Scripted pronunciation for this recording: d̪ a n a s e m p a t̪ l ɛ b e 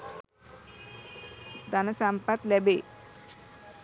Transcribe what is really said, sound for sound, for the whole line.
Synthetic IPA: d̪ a n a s a m p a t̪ l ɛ b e